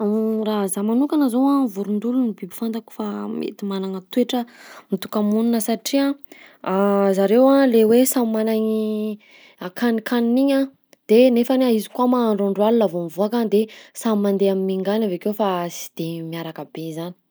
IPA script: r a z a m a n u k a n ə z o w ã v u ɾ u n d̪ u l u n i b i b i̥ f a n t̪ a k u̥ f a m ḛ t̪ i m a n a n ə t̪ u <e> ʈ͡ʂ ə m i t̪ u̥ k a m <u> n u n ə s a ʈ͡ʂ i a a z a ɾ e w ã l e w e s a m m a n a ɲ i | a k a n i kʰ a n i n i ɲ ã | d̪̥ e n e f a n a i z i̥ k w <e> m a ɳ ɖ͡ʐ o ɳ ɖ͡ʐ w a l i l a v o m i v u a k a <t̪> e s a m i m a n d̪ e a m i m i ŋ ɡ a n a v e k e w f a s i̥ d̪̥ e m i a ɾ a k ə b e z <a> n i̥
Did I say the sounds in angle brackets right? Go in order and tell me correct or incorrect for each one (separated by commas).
correct, correct, incorrect, incorrect, correct